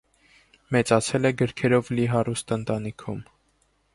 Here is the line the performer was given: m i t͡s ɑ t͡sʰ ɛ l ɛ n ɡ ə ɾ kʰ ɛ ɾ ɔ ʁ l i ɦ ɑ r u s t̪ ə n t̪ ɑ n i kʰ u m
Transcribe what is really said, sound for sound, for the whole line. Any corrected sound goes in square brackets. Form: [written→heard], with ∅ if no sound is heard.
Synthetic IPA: m [i→ɛ] t͡s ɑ t͡sʰ ɛ l ɛ [n→∅] ɡ ə ɾ kʰ ɛ ɾ ɔ [ʁ→v] l i ɦ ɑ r u s t̪ ə n t̪ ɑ n i kʰ u m

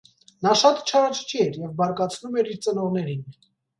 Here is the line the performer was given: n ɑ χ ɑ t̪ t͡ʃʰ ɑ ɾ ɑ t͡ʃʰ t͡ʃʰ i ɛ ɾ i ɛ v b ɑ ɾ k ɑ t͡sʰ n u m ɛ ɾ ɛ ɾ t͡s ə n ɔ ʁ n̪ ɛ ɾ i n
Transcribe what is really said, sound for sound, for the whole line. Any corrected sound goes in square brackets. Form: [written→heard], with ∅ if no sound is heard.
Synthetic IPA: n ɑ [χ→ʃ] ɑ t̪ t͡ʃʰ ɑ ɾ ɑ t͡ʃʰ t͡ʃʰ i ɛ ɾ [i→j] ɛ v b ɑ ɾ k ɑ t͡sʰ n u m ɛ ɾ [ɛ→i] ɾ t͡s ə n ɔ ʁ n̪ ɛ ɾ i n

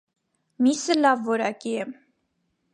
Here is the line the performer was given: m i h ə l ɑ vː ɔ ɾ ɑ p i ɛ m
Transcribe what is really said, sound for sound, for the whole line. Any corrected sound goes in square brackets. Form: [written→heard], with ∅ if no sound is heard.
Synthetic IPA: m i [h→s] ə l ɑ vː ɔ ɾ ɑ [p→k] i ɛ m

